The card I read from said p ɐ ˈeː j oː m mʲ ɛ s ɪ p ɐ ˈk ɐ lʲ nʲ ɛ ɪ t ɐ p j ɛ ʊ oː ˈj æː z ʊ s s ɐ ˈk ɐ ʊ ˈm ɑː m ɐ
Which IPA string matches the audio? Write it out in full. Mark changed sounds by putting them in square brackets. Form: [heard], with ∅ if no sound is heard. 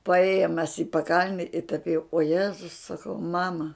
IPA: p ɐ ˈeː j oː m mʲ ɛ s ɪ p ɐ ˈk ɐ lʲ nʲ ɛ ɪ t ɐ p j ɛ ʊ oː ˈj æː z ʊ s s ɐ ˈk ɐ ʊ ˈm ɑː m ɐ

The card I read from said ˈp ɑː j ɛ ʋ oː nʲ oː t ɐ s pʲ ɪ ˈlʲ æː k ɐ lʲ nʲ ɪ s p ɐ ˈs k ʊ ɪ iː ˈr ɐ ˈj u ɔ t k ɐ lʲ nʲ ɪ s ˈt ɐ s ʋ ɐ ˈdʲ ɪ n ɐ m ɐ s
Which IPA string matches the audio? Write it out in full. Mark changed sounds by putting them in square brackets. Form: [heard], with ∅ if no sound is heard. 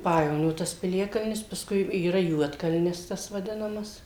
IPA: ˈp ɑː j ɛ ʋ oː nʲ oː t ɐ s pʲ ɪ ˈlʲ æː k ɐ lʲ nʲ ɪ s p ɐ ˈs k ʊ ɪ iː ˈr ɐ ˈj u ɔ t k ɐ lʲ nʲ ɪ s ˈt ɐ s ʋ ɐ ˈdʲ ɪ n ɐ m ɐ s

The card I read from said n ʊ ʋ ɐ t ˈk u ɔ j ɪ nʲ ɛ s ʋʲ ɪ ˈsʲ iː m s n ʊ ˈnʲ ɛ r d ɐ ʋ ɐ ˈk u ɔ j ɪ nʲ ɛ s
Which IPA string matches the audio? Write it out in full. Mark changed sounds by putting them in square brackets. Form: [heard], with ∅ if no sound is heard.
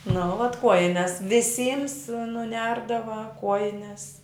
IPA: n ʊ ʋ ɐ t ˈk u ɔ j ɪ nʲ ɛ s ʋʲ ɪ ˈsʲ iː m s n ʊ ˈnʲ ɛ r d ɐ ʋ ɐ ˈk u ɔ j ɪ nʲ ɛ s

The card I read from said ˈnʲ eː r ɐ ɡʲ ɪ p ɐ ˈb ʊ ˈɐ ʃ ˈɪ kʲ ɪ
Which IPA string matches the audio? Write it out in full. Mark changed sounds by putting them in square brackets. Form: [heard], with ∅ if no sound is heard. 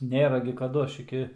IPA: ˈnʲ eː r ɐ ɡʲ ɪ [k] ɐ [ˈd] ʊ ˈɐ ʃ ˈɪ kʲ ɪ

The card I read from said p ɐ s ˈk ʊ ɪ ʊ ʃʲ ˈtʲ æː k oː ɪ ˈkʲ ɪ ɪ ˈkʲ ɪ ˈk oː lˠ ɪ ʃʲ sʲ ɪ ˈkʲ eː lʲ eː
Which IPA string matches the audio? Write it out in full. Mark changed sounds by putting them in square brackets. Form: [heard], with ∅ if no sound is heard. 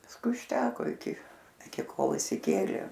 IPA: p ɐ s ˈk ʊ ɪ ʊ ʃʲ ˈtʲ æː k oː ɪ ˈkʲ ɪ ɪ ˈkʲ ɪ ˈk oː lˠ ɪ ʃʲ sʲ ɪ ˈkʲ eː lʲ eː

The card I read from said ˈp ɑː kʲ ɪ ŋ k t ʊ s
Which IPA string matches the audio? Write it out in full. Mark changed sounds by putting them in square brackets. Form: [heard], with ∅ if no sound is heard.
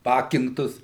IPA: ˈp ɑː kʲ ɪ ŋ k t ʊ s

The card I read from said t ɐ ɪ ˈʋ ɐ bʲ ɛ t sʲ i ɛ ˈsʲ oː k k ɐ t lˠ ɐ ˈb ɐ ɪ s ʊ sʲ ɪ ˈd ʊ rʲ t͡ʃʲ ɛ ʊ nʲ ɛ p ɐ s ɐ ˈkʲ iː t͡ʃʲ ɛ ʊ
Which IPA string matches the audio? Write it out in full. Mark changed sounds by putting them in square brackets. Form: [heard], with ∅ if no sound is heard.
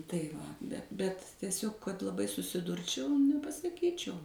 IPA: t ɐ ɪ ˈʋ ɐ bʲ ɛ t [tʲ] i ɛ ˈsʲ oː k k ɐ t lˠ ɐ ˈb ɐ ɪ s ʊ sʲ ɪ ˈd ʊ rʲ t͡ʃʲ ɛ ʊ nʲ ɛ p ɐ s ɐ ˈkʲ iː t͡ʃʲ ɛ ʊ

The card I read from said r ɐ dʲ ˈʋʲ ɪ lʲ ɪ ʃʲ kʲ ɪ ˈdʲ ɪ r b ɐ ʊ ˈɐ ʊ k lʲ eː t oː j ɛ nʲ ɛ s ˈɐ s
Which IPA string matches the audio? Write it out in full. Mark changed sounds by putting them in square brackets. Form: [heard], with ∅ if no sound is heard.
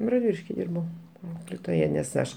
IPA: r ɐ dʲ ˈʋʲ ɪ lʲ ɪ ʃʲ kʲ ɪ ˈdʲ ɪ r b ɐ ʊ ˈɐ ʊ k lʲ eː t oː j ɛ nʲ ɛ s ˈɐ [ʃ]

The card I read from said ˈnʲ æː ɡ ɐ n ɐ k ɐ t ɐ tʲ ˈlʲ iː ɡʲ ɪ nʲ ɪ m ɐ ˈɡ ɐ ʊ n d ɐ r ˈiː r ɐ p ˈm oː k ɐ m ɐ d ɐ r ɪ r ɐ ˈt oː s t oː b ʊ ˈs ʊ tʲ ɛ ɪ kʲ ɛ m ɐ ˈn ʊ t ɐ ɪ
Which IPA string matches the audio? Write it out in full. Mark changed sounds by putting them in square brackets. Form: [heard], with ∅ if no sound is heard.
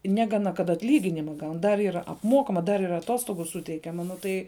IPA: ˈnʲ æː ɡ ɐ n ɐ k ɐ t ɐ tʲ ˈlʲ iː ɡʲ ɪ nʲ ɪ m ɐ ˈɡ ɐ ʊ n d ɐ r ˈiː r ɐ p ˈm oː k ɐ m ɐ d ɐ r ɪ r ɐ ˈt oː s t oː [ɡ] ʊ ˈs ʊ tʲ ɛ ɪ kʲ ɛ m ɐ ˈn ʊ t ɐ ɪ

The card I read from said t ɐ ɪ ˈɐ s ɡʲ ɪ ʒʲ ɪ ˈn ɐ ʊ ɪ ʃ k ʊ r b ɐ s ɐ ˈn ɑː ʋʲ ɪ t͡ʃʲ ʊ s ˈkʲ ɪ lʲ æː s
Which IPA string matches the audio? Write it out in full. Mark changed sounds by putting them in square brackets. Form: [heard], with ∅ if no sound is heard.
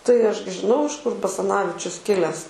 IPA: t ɐ ɪ ˈɐ [ʃ] ɡʲ ɪ ʒʲ ɪ ˈn ɐ ʊ ɪ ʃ k ʊ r b ɐ s ɐ ˈn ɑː ʋʲ ɪ t͡ʃʲ ʊ s ˈkʲ ɪ lʲ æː s

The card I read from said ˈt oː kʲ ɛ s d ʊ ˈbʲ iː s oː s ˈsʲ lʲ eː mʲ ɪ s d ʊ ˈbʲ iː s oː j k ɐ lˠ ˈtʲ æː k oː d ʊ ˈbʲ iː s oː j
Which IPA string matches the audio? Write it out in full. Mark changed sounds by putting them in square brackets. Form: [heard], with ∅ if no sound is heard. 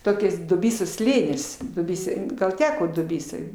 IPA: ˈt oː kʲ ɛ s d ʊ ˈbʲ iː s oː s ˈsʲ lʲ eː [nʲ] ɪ s d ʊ ˈbʲ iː s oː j [ɡ] ɐ lˠ ˈtʲ æː k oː d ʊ ˈbʲ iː s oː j

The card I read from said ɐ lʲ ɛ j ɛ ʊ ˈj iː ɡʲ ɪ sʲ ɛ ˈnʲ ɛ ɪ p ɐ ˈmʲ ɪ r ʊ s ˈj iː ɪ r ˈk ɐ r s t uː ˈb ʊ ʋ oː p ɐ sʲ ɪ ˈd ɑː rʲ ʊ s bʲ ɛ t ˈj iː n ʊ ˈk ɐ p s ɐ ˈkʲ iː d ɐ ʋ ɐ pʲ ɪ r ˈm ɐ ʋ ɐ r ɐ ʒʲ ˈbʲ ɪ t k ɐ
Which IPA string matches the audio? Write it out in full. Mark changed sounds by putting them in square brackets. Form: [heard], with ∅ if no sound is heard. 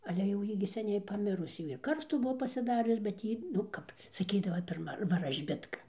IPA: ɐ lʲ ɛ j ɛ ʊ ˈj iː ɡʲ ɪ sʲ ɛ ˈnʲ ɛ ɪ p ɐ ˈmʲ ɪ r ʊ s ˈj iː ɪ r ˈk ɐ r s t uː ˈb ʊ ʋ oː p ɐ sʲ ɪ ˈd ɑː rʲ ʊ s bʲ ɛ t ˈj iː n ʊ ˈk ɐ p s ɐ ˈkʲ iː d ɐ ʋ ɐ pʲ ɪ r ˈm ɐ ʋ ɐ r ɐ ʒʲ ˈbʲ ɪ t k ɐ

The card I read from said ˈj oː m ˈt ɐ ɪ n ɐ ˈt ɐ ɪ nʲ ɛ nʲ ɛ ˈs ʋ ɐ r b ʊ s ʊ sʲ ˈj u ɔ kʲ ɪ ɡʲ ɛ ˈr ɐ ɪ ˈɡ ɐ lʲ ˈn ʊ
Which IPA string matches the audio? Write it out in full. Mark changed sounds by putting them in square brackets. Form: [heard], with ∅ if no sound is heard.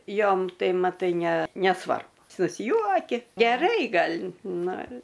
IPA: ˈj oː m ˈt ɐ ɪ [m] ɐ ˈt ɐ ɪ nʲ ɛ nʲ ɛ ˈs ʋ ɐ r b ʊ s ʊ sʲ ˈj u ɔ kʲ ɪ ɡʲ ɛ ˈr ɐ ɪ ˈɡ ɐ lʲ ˈn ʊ

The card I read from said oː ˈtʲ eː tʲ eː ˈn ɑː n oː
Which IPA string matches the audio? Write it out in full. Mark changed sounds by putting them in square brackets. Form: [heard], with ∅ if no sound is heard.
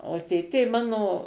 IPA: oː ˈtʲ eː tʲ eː [ˈm] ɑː n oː

